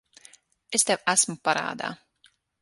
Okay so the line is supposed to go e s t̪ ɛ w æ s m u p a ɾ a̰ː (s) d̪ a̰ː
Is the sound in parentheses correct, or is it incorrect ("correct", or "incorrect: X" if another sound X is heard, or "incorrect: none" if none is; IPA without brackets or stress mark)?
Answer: incorrect: none